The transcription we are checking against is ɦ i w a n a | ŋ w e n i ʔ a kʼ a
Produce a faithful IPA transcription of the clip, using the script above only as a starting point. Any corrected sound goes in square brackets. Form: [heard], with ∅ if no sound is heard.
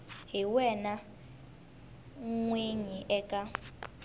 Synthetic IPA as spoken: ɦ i w [ɛ] n a | ŋ w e [ɲ] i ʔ [ɛ] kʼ a